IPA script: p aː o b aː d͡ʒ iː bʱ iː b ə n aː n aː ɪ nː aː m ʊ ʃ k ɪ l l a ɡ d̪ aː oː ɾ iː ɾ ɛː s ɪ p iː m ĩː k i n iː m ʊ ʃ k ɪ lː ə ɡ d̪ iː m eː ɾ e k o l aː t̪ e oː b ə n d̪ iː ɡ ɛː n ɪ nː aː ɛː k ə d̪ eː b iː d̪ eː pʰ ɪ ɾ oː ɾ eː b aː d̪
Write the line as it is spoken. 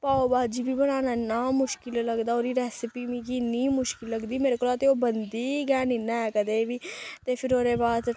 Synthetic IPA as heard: p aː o b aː d͡ʒ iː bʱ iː b ə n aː n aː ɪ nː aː m ʊ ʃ k ɪ l l ə ɡ d̪ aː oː ɾ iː ɾ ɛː s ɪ p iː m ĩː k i n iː m ʊ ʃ k ɪ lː ə ɡ d̪ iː m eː ɾ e k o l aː t̪ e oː b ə n d̪ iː ɡ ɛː n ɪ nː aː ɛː k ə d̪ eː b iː t̪ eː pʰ ɪ ɾ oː ɾ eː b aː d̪